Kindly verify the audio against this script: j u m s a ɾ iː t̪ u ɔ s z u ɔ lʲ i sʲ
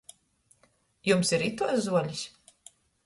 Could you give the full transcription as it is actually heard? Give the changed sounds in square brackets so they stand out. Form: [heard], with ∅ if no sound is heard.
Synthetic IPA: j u m s [i] ɾ [i] t̪ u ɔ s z u ɔ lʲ i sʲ